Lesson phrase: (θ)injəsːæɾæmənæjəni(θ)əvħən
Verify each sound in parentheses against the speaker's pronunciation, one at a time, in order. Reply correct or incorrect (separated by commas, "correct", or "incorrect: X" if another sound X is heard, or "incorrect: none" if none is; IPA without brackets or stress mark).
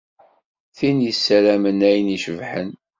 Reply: correct, incorrect: ʃ